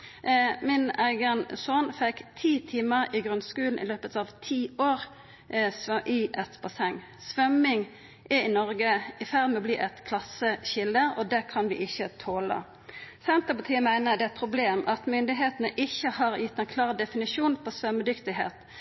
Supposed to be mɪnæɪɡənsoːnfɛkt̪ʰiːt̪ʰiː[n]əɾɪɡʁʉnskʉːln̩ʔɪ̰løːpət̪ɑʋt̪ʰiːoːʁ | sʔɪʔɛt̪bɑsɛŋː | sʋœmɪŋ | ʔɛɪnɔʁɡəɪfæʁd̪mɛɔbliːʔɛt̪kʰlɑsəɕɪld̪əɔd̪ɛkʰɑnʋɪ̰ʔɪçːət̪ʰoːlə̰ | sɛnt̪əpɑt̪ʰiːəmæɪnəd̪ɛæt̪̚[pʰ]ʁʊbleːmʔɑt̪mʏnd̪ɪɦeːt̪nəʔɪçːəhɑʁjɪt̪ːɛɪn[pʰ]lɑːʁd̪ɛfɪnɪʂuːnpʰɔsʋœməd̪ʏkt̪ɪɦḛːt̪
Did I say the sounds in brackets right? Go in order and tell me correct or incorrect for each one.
incorrect: m, correct, incorrect: kʰ

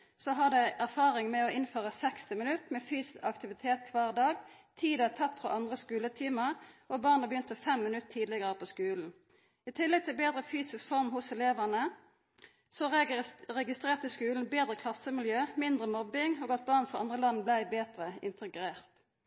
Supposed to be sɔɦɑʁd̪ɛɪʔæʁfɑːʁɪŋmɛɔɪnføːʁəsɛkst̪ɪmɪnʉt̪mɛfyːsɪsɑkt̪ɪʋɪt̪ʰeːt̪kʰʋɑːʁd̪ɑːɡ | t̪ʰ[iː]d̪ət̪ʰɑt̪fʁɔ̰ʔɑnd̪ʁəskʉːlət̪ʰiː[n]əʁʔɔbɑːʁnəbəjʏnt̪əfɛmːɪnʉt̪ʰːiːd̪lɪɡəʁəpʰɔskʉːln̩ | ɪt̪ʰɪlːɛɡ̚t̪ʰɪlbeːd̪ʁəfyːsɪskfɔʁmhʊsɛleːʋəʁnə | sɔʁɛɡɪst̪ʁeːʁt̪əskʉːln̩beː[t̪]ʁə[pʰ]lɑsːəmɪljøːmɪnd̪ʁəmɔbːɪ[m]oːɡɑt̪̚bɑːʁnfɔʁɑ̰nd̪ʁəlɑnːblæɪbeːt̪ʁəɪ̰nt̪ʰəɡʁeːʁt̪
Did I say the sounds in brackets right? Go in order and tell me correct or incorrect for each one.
correct, incorrect: m, incorrect: d̪, incorrect: kʰ, incorrect: ŋ

